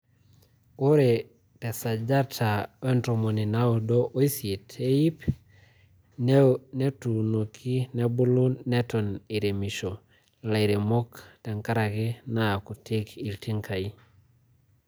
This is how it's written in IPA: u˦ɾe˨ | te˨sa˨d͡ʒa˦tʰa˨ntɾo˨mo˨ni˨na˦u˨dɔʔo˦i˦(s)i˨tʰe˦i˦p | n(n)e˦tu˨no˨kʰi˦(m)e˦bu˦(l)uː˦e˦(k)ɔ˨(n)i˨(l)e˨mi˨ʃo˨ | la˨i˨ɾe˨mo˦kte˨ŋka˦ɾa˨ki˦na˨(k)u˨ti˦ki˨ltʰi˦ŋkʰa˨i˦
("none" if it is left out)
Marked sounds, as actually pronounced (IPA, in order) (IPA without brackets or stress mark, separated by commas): s, n, n, l, t, n, ɾ, k